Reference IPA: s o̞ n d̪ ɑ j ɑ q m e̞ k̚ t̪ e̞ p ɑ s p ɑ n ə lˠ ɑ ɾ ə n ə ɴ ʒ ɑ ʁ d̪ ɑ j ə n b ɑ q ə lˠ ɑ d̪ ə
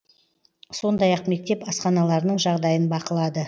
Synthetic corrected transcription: s o̞ n d̪ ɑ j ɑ q m e̞ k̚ t̪ e̞ p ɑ s q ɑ n ɑ lˠ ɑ ɾ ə n ə ɴ ʒ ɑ ʁ d̪ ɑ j ə n b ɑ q ə lˠ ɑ d̪ ə